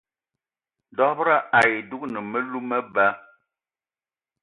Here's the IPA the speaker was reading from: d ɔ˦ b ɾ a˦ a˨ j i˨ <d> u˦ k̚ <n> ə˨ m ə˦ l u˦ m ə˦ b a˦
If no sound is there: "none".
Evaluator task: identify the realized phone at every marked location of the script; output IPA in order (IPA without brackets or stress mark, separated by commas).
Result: d, n